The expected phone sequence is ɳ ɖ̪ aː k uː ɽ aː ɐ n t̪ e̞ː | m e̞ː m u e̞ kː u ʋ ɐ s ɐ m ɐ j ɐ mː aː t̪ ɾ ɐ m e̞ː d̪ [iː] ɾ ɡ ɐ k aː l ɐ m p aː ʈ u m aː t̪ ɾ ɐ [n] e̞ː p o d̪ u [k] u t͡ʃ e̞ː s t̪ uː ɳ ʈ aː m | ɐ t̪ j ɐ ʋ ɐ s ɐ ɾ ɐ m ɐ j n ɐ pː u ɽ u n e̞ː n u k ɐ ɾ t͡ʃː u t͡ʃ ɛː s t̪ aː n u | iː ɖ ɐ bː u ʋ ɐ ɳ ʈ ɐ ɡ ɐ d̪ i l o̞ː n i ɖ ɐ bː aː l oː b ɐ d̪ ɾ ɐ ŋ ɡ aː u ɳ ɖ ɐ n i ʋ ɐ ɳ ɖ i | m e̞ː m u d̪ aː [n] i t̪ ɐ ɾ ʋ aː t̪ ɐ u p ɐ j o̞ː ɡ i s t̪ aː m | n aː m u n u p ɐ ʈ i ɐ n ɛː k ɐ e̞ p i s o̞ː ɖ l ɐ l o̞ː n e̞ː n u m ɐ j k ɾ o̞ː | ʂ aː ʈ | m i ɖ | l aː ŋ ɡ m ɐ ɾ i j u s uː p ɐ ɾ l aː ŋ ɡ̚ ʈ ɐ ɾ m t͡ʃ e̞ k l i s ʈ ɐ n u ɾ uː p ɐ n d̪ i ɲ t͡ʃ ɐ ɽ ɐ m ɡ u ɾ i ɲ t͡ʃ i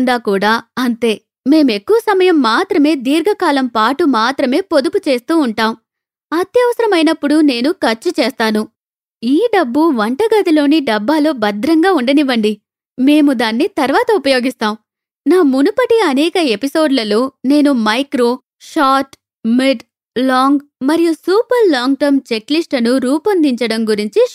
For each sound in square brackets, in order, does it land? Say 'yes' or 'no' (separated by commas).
yes, no, no, no